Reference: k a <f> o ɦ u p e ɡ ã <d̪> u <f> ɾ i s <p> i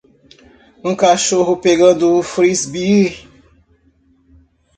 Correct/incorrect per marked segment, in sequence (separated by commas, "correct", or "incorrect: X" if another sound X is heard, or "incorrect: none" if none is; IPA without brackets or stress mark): incorrect: ʃ, correct, correct, incorrect: b